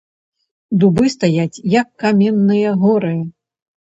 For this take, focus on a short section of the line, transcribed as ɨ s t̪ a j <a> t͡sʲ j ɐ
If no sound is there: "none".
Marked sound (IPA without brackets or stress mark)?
a